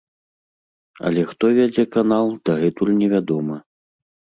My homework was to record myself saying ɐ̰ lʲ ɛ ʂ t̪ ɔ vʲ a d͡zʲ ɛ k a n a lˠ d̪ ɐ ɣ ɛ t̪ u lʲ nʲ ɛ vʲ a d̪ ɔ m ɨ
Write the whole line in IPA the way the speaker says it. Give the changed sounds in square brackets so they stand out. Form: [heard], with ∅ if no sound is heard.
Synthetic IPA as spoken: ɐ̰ lʲ ɛ [x] t̪ ɔ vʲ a d͡zʲ ɛ k a n a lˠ d̪ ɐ ɣ ɛ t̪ u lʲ nʲ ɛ vʲ a d̪ ɔ m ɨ